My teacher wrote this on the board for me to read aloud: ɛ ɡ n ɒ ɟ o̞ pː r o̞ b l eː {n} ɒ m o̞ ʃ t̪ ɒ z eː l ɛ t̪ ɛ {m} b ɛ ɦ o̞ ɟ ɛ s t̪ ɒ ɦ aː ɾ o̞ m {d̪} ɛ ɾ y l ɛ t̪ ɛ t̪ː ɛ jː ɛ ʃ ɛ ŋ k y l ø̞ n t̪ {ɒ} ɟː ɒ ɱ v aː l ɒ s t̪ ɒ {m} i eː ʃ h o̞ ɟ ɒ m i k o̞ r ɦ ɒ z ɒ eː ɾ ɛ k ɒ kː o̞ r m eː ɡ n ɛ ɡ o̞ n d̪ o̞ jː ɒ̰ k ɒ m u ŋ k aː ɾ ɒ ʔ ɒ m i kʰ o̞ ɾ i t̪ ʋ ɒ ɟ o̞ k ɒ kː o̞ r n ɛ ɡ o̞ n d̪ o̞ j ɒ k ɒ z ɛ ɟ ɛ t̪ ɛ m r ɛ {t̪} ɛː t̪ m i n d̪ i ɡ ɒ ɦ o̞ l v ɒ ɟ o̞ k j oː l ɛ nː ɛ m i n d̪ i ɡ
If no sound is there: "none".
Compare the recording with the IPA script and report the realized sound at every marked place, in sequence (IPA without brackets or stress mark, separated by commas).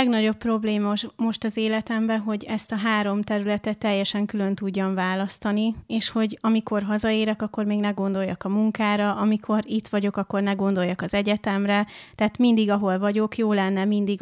m, m, t̪, u, n, t̪